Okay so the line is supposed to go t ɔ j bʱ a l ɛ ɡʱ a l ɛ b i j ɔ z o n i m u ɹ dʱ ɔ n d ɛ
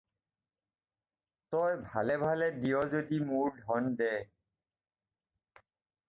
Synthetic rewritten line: t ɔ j bʱ a l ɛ bʱ a l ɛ d i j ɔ z o d i m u ɹ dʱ ɔ n d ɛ